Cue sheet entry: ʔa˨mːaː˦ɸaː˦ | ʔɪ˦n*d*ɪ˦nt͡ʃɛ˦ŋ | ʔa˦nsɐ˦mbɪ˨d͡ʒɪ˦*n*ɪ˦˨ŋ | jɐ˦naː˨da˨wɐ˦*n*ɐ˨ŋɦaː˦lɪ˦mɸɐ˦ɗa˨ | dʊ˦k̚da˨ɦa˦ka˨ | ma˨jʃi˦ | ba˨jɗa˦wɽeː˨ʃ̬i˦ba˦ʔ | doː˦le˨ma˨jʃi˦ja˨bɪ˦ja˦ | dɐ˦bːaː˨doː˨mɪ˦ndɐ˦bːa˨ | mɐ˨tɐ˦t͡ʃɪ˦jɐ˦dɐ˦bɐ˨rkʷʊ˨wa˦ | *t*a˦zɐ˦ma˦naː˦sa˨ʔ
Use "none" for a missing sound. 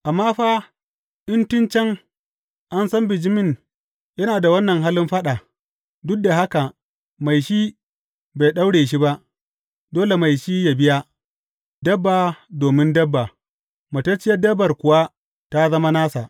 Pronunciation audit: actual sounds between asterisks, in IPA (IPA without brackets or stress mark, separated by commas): t, m, nː, t